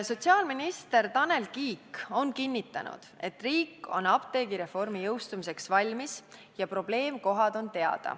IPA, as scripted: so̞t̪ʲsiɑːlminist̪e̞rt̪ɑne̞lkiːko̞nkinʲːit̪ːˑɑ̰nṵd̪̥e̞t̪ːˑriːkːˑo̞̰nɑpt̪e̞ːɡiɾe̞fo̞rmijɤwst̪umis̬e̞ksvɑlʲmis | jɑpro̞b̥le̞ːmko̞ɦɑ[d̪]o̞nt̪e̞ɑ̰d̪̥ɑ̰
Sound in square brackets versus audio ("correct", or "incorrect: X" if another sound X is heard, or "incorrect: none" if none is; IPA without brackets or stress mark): correct